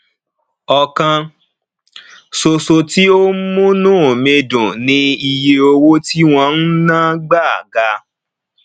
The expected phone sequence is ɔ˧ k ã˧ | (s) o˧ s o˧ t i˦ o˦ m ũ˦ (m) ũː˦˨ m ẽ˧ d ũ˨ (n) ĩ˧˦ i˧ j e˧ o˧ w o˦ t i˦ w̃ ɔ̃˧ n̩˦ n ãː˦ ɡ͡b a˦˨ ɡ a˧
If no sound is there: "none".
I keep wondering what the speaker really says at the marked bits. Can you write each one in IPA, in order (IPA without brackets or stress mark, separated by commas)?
s, n, n